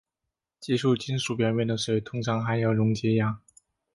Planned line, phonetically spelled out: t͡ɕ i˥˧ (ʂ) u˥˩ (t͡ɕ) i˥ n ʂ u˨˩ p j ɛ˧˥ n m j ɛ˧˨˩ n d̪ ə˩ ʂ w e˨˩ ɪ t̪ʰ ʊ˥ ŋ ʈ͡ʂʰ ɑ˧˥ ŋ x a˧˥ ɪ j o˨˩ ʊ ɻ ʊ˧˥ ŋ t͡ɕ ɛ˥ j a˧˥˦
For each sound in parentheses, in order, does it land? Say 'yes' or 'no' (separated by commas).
yes, yes